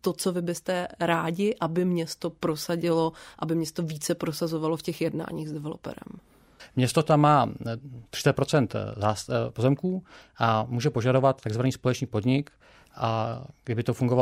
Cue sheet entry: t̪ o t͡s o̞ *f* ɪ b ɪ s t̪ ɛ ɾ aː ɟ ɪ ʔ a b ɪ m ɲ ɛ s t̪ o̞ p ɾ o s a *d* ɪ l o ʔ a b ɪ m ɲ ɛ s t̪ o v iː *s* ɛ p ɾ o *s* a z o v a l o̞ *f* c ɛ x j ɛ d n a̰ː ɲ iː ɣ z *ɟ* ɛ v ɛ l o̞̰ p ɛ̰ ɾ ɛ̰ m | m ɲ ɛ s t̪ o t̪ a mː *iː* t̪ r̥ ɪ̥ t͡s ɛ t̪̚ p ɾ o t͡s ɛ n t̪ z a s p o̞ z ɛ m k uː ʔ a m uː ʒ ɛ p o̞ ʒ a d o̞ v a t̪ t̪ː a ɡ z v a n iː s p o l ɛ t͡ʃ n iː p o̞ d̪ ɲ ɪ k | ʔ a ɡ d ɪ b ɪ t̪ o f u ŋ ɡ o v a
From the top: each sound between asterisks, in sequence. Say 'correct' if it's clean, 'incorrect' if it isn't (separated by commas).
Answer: incorrect, incorrect, incorrect, correct, correct, incorrect, incorrect